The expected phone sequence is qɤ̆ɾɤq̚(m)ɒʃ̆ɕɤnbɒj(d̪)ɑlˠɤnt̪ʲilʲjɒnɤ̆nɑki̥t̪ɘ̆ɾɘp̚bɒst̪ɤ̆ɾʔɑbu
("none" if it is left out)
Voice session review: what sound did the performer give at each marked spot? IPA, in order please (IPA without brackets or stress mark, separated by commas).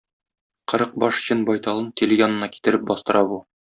b, t̪